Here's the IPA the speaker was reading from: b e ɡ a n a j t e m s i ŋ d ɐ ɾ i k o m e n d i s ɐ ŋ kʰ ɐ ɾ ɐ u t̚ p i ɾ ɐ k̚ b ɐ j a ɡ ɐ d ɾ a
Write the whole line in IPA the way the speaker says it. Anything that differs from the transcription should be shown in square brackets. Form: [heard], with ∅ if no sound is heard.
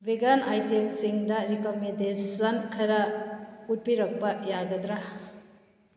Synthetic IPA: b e ɡ a n a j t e m s i ŋ d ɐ ɾ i k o m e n d [e] s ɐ [n] kʰ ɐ ɾ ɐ u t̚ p i ɾ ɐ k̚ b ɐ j a ɡ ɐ d ɾ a